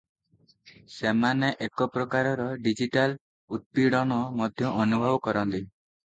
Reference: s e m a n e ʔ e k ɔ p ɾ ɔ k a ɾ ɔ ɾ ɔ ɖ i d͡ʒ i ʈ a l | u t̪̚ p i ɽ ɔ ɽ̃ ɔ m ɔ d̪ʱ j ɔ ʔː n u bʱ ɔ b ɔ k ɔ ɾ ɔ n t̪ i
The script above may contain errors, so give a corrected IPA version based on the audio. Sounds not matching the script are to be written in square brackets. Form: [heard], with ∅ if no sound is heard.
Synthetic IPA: s e m a n e ʔ e k ɔ p ɾ ɔ k a ɾ ɔ ɾ ɔ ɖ i d͡ʒ i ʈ a l | u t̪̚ p i ɽ ɔ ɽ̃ ɔ m ɔ d̪ʱ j ɔ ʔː n u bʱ ɔ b ɔ k ɔ ɾ ɔ n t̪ i